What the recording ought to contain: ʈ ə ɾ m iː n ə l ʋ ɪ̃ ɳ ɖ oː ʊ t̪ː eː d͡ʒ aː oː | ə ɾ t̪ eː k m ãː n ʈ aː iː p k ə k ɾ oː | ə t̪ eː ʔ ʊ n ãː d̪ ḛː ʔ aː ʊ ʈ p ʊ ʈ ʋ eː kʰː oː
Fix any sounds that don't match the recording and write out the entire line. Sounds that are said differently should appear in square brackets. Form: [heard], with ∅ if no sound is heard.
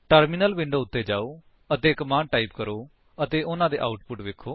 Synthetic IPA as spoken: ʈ ə ɾ m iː n ə l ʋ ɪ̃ ɳ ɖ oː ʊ t̪ː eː d͡ʒ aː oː | ə [∅] t̪ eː k m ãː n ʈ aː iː p k ə [∅] ɾ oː | ə t̪ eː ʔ ʊ n ãː d̪ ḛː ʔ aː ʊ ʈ p ʊ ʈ ʋ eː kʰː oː